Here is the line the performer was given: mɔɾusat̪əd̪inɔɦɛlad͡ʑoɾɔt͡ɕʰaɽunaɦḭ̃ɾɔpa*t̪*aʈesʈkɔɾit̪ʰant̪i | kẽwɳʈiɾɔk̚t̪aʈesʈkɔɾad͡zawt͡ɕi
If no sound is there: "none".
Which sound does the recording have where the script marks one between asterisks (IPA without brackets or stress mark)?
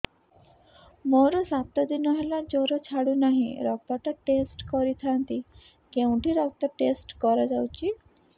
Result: t̪